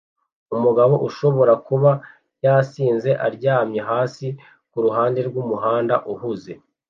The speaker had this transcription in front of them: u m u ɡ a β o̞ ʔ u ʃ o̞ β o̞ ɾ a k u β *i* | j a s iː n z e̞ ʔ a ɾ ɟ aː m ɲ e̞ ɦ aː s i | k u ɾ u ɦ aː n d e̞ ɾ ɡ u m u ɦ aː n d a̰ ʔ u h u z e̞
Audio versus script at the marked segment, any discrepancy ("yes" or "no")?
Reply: yes